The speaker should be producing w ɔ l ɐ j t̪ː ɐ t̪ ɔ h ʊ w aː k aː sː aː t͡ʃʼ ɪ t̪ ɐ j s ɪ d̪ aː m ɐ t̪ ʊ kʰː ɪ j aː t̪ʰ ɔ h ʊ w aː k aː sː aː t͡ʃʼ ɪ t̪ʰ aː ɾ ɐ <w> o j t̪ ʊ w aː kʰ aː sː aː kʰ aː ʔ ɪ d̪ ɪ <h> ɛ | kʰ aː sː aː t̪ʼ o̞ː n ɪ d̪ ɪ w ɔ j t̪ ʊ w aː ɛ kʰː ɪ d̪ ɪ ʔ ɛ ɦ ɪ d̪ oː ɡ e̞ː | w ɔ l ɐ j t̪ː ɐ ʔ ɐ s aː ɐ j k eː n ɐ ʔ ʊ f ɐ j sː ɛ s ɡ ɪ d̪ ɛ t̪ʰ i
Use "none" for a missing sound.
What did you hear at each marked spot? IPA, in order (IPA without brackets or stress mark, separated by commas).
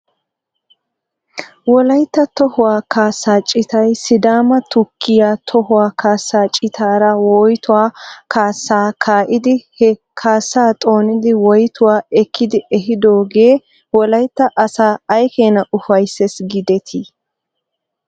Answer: w, h